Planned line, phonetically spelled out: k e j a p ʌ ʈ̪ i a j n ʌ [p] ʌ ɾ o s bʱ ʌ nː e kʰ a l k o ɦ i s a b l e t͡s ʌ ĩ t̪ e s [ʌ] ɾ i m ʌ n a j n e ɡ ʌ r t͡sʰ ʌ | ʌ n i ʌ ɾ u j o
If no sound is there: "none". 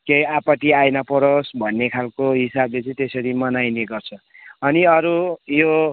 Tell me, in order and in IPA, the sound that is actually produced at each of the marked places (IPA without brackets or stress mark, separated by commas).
p, ʌ